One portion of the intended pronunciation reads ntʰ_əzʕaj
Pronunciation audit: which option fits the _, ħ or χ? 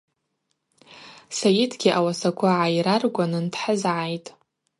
ħ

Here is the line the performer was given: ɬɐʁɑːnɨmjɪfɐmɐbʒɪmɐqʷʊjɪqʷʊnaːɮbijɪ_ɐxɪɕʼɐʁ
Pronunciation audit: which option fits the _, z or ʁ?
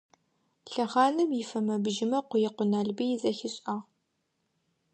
z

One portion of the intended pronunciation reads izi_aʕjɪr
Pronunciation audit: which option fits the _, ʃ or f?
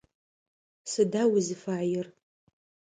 f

